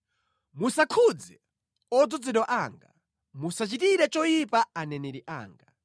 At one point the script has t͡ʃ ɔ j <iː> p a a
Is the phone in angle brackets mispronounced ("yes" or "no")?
yes